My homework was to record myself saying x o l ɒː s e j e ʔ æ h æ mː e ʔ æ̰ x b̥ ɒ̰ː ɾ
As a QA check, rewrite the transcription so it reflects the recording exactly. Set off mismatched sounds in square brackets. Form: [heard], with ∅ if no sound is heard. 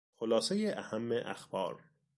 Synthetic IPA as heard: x o l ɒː s e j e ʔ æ h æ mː e ʔ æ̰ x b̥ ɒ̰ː ɾ